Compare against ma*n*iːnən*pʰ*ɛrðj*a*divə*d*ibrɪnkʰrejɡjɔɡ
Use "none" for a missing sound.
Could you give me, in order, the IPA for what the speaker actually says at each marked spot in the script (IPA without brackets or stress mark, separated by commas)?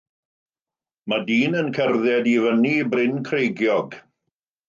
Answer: d, kʰ, ɛ, n